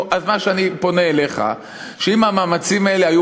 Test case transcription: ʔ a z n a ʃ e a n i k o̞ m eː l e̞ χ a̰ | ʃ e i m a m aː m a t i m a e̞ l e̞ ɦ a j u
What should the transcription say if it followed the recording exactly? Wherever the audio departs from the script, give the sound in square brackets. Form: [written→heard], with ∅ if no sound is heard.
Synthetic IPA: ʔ a z [n→m] a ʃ e a n i [k→p] o̞ [m→n] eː l e̞ χ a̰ | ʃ e i m a m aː m a [t→t͡s] i m a e̞ l e̞ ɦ a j u